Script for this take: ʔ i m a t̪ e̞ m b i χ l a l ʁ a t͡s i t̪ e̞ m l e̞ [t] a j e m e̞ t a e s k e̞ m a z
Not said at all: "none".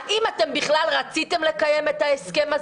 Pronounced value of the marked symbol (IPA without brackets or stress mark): k